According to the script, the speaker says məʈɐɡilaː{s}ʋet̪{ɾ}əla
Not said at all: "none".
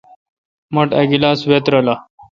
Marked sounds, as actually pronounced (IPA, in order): s, ɾ

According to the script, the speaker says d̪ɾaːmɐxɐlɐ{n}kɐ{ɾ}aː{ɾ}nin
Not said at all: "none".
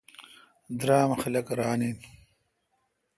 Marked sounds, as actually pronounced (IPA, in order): none, ɾ, none

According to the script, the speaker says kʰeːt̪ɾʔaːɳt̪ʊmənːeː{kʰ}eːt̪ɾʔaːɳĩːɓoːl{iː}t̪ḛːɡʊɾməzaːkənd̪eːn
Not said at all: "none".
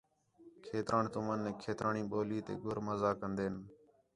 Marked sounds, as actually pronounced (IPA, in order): kʰ, iː

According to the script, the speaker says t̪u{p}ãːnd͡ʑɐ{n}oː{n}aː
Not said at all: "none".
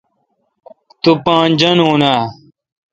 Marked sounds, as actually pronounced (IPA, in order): p, n, n

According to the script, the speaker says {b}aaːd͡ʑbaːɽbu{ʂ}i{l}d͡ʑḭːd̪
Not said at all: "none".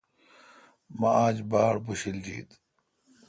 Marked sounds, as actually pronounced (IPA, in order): m, ɕ, l

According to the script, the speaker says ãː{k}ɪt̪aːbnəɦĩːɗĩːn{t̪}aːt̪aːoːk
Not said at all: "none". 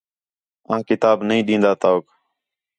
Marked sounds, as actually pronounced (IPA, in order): k, d̪

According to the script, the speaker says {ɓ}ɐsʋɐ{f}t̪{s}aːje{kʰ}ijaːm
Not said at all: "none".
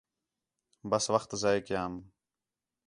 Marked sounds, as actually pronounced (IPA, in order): b, x, z, k

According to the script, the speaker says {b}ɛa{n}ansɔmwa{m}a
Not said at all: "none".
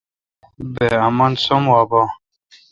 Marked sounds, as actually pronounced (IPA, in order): b, m, b

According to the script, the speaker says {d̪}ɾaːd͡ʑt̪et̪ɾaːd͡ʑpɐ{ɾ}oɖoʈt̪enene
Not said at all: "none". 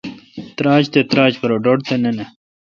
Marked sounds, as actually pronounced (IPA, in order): t̪, ɾ

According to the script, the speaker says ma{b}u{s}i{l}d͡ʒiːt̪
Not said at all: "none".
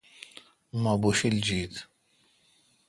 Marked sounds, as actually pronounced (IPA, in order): b, ʃ, l

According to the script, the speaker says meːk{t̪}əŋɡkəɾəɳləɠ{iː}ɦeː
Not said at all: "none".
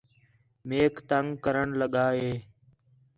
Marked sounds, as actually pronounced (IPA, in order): t̪, aː

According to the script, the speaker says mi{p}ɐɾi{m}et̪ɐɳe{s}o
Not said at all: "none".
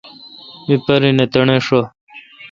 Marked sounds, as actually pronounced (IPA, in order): p, n, ʂ

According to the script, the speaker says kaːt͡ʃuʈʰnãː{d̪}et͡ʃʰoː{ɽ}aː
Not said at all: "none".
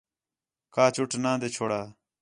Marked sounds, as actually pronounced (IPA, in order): d̪, ɽ

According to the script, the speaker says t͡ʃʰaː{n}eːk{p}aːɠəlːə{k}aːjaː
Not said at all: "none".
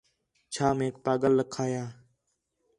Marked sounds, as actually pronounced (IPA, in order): m, p, kʰ

